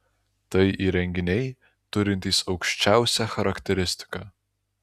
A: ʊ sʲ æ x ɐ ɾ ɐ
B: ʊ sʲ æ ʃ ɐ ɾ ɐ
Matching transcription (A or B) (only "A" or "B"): A